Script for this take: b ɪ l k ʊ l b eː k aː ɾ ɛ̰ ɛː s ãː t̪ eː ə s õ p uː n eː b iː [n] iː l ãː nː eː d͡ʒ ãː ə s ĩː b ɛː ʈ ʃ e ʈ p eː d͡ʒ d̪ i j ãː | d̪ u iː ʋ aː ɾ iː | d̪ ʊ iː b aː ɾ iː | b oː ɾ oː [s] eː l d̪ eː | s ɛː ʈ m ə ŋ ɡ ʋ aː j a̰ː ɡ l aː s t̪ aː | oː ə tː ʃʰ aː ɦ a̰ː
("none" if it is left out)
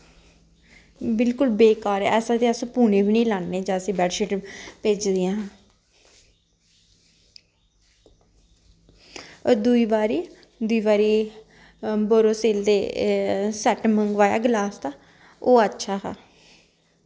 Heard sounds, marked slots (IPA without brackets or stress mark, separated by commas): n, s